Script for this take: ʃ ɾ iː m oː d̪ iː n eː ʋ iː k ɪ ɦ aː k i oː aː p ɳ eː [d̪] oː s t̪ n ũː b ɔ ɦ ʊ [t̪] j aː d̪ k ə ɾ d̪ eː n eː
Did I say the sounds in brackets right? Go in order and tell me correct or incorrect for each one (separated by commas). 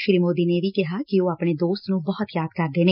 correct, correct